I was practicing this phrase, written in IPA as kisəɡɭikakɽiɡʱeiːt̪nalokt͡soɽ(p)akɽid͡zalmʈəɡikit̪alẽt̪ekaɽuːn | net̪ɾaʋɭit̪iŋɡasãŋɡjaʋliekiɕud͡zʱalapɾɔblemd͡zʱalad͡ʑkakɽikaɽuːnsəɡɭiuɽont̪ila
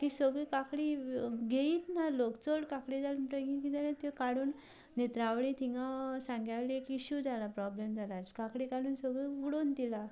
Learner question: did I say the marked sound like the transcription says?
no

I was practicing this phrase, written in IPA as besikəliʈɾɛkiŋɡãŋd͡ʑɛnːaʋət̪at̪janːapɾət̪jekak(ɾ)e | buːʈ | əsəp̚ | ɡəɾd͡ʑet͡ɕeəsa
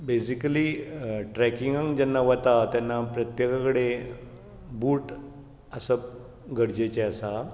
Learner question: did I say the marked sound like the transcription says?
no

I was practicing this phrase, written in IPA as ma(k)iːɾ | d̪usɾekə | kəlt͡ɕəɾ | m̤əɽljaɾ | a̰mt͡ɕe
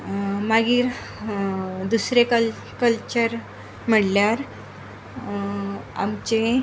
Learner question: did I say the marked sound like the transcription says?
no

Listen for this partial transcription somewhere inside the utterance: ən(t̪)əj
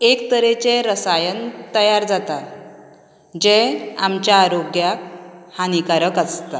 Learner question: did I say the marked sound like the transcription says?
yes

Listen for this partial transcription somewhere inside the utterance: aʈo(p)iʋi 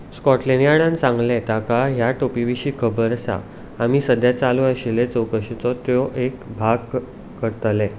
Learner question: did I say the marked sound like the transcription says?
yes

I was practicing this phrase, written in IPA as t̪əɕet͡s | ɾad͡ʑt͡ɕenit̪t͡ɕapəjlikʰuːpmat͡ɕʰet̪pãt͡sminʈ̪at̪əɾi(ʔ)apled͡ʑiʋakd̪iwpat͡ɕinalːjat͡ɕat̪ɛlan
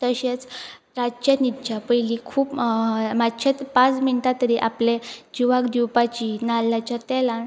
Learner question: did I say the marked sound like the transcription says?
yes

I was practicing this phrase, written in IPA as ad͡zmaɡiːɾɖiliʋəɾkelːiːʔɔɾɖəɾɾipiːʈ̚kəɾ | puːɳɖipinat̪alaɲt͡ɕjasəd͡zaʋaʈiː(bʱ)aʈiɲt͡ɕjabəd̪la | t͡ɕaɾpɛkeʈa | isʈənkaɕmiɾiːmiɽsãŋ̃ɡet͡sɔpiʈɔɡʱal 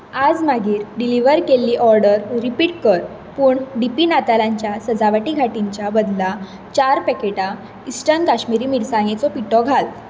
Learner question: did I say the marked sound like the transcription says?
no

